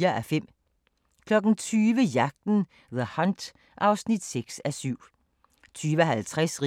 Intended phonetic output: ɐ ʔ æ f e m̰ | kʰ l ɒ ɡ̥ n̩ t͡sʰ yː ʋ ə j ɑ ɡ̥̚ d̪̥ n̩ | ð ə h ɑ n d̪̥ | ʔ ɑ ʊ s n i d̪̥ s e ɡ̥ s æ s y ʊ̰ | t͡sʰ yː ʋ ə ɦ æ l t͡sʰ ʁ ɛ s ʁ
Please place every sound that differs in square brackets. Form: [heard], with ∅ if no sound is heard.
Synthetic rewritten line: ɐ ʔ æ f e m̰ | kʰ l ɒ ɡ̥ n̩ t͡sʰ yː ʋ ə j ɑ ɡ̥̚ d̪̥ n̩ | ð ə h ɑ n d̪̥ | ʔ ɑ ʊ s n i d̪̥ s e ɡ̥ s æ s y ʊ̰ | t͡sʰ yː ʋ ə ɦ æ l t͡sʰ ʁ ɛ s ʁ